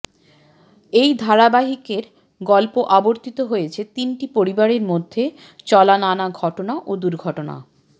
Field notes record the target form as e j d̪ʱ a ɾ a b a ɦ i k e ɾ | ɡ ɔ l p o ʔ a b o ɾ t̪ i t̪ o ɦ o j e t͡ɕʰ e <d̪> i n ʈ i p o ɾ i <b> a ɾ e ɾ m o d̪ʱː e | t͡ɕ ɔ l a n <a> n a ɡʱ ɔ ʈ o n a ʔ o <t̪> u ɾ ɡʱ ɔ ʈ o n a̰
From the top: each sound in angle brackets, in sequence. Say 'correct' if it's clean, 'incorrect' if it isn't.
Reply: incorrect: t̪, correct, correct, incorrect: d̪

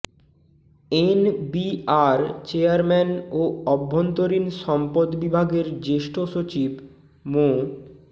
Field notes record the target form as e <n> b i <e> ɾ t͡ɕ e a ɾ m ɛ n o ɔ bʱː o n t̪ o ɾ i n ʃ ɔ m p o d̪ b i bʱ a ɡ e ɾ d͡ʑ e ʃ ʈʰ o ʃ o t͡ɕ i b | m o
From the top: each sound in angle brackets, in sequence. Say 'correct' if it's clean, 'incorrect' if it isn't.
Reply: correct, incorrect: a

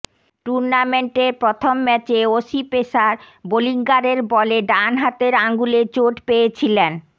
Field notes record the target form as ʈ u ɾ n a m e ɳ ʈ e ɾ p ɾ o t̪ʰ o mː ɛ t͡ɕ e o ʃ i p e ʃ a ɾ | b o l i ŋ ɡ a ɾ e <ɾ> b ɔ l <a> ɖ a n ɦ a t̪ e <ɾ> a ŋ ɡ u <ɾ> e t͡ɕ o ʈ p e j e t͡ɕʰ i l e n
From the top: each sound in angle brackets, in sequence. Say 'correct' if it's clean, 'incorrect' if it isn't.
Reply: correct, incorrect: e, correct, incorrect: l

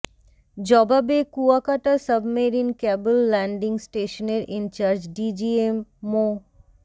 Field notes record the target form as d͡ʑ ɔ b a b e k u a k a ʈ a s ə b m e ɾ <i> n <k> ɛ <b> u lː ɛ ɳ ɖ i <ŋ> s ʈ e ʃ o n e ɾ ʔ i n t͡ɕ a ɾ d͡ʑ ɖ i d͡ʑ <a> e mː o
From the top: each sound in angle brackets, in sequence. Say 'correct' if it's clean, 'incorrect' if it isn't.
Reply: correct, correct, correct, correct, incorrect: i

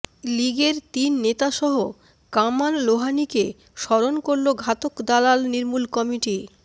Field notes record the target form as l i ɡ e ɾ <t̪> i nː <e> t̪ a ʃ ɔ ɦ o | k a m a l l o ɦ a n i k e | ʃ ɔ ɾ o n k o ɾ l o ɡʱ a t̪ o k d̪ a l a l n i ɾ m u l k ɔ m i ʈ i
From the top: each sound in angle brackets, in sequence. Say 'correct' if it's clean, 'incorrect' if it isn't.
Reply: correct, correct

